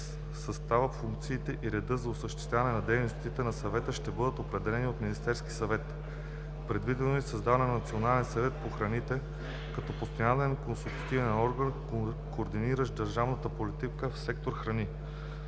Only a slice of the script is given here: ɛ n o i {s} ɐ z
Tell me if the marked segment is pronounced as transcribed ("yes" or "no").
yes